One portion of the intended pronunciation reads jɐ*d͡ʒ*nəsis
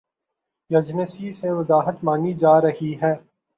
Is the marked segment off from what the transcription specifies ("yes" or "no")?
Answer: no